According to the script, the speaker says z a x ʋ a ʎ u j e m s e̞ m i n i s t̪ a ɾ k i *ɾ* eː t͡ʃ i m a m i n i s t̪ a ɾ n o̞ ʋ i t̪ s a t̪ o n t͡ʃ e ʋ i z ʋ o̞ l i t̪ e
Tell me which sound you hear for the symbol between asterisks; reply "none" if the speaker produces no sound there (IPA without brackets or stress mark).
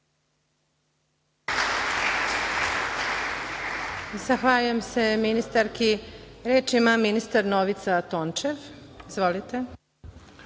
ɾ